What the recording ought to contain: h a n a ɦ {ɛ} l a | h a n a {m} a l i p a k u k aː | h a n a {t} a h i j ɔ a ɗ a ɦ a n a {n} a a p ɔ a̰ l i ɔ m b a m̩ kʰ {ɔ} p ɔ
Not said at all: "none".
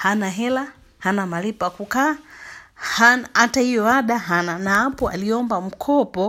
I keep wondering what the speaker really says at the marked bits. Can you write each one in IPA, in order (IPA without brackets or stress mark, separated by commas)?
ɛ, m, t, n, ɔ